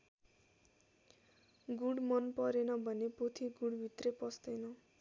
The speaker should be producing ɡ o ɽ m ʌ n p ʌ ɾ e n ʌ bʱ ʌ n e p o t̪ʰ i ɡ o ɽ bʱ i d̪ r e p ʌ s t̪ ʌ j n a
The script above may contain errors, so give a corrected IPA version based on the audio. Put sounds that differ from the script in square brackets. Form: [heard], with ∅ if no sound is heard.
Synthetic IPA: ɡ [u] ɽ m ʌ n p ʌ ɾ e n ʌ bʱ ʌ n e p o t̪ʰ i ɡ [u] ɽ bʱ i [t̪] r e p ʌ s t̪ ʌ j n [ʌ]